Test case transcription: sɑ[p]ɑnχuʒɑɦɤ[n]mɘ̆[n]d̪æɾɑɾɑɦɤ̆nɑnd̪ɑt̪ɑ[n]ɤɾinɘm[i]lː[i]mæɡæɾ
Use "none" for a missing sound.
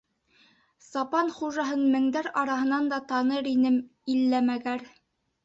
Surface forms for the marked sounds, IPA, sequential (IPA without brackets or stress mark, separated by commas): p, n, ŋ, n, i, æ